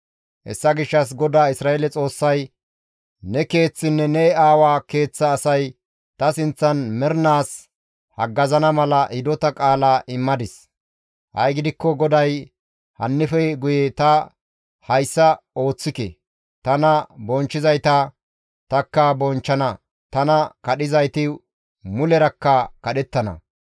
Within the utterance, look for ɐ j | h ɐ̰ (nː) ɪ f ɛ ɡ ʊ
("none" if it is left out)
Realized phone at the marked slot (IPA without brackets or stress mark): nː